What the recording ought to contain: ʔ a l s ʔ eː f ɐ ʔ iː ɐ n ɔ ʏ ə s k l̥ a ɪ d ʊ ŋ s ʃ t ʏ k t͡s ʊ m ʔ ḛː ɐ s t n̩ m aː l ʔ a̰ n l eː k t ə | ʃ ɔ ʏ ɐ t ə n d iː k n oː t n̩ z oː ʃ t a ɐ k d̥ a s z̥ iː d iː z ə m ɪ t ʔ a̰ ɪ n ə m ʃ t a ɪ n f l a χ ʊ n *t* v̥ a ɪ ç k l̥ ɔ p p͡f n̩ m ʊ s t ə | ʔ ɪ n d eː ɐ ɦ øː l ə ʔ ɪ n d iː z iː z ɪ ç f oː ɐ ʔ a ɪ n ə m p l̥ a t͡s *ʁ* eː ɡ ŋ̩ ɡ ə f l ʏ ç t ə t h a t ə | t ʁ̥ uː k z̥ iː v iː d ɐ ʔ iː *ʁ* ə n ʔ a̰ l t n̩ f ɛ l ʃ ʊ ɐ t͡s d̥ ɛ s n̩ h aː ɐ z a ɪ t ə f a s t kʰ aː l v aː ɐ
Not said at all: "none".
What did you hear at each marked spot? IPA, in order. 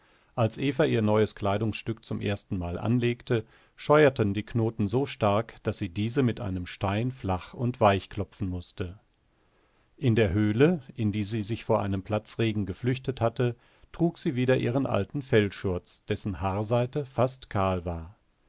t, ʁ, ʁ

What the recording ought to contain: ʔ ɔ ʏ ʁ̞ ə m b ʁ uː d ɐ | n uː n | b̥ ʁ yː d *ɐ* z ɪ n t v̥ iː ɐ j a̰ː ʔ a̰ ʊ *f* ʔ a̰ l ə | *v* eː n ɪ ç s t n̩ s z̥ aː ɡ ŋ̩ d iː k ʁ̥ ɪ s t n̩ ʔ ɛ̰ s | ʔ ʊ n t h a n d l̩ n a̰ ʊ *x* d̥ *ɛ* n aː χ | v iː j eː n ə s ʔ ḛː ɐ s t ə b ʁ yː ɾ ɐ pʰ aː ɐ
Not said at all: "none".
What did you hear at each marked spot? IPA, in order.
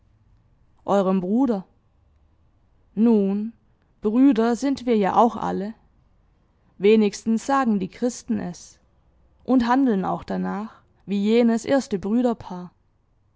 ɐ, x, v, x, a

